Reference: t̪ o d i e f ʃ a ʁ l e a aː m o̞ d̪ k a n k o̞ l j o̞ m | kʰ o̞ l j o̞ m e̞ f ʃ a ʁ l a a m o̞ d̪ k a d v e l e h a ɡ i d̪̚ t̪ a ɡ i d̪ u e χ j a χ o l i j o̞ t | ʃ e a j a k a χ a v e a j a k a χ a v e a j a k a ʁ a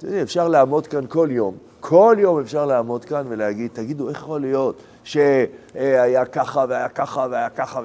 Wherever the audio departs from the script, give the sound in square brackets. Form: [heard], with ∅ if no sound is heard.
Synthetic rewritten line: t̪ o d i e f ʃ a ʁ l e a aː m o̞ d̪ k a n k o̞ l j o̞ m | kʰ o̞ l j o̞ m e̞ f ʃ a ʁ l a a m o̞ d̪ k a [n] v e l e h a ɡ i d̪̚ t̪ a ɡ i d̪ u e χ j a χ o l i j o̞ t | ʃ e a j a k a χ a v e a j a k a χ a v e a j a k a [χ] a